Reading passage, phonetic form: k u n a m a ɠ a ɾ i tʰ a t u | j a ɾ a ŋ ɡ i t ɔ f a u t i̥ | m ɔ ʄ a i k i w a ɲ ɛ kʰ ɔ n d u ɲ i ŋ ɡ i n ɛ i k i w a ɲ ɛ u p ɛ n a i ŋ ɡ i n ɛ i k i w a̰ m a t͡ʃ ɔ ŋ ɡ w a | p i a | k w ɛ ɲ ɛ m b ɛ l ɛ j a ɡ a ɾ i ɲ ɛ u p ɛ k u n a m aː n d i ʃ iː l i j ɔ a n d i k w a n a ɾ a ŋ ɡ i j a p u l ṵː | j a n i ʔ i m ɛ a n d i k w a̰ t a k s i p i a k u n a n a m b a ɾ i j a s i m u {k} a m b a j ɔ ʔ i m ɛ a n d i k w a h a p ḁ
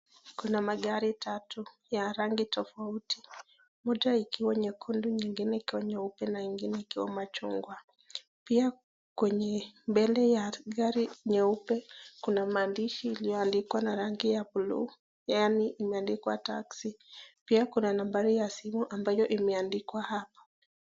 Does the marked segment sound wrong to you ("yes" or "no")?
yes